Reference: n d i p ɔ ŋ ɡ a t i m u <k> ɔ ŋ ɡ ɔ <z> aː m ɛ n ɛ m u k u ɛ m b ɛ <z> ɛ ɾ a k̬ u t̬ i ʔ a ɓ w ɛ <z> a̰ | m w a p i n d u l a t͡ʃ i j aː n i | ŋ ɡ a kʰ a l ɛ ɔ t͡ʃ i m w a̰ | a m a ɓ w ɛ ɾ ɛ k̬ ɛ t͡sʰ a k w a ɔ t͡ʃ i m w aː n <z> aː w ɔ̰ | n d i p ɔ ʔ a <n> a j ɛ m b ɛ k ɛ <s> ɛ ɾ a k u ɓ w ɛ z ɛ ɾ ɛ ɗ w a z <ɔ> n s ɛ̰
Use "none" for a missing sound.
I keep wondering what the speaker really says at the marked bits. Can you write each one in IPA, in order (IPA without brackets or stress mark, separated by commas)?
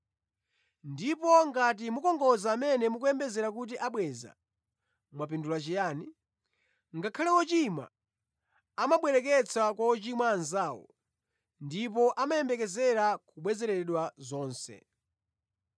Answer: k, z, z, z, z, m, z, ɔː